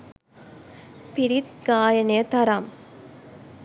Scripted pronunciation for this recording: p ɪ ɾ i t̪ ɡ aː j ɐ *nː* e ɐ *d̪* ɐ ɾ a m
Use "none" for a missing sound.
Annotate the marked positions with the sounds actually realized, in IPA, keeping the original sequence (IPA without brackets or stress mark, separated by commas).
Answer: n, t̪